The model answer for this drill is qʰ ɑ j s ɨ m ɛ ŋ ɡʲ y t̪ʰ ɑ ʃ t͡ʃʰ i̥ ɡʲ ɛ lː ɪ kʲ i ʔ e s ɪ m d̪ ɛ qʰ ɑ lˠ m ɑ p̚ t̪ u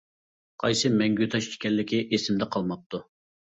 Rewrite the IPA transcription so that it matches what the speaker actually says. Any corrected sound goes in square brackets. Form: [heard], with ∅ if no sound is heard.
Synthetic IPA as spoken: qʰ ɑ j s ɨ m ɛ ŋ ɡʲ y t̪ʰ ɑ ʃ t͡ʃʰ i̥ [kʲ] ɛ lː ɪ kʲ i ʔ e s ɪ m d̪ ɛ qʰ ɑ lˠ m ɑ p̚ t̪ u